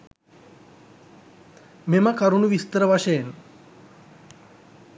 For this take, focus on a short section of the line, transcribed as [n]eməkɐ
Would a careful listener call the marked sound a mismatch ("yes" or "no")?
yes